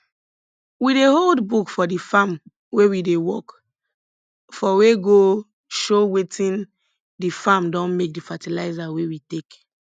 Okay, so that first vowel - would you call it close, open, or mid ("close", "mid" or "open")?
close